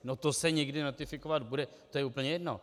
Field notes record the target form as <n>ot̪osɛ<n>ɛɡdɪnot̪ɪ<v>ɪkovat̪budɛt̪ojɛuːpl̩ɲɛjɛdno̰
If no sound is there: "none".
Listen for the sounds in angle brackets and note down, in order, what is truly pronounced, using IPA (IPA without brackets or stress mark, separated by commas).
n, ɲ, f